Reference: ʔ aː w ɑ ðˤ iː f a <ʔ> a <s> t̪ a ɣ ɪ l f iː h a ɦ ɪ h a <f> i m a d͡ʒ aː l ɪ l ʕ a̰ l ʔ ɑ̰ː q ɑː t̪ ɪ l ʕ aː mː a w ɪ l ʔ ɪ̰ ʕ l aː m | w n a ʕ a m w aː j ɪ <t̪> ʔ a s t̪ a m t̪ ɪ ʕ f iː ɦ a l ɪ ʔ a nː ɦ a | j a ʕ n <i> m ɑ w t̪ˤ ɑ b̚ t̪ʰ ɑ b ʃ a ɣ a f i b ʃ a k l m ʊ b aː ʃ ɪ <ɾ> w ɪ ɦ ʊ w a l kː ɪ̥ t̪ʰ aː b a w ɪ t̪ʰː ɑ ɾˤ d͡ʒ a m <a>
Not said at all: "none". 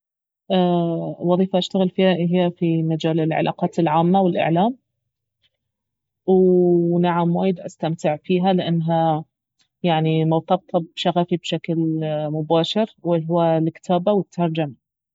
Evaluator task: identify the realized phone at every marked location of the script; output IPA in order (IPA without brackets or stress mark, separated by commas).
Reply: ʔ, ʃ, f, d̪, i, ɾ, a